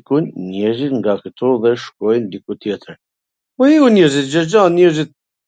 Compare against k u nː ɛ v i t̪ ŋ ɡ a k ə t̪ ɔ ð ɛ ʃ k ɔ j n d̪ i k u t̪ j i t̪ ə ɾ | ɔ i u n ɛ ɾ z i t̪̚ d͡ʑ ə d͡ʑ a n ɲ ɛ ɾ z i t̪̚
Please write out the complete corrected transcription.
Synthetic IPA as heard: k u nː ɛ z i t̪ ŋ ɡ a k ə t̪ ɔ ð ɛ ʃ k ɔ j n d̪ i k u t̪ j ɛ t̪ ə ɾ | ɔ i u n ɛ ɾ z i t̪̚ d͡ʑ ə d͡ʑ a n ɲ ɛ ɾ z i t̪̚